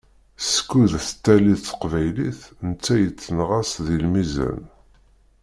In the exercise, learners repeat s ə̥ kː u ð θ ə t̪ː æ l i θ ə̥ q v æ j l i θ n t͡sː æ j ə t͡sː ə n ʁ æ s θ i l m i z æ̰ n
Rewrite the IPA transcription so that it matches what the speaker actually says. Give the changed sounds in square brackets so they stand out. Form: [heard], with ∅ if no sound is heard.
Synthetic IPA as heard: s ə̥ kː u ð θ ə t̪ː æ l i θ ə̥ q v æ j l i θ n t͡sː æ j ə t͡sː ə n ʁ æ s [ð] i l m i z æ̰ n